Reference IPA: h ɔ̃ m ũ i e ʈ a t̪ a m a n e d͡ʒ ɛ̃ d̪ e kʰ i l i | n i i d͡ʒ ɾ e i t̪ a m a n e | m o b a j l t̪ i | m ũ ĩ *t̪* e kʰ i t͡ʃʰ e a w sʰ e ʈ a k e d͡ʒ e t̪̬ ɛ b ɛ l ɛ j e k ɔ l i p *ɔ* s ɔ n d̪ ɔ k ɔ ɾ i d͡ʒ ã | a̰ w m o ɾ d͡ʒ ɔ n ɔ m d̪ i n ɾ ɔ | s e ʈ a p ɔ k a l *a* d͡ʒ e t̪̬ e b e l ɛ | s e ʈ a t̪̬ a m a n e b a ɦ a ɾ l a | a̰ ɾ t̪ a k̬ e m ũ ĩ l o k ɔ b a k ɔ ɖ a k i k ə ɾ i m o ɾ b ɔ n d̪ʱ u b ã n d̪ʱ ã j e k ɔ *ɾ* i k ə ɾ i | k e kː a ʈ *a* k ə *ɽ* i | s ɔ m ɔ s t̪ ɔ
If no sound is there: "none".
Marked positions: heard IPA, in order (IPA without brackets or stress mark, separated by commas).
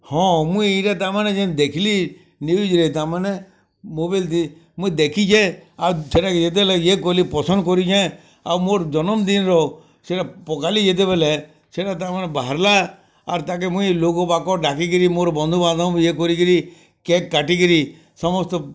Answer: d̪, ɔ, i, ɾ, i, ɾ